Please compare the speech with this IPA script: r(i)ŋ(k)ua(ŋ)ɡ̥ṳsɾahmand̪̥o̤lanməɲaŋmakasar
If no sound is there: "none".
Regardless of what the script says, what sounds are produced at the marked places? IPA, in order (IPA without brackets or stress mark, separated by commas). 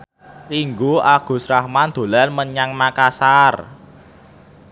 i, ɡ, none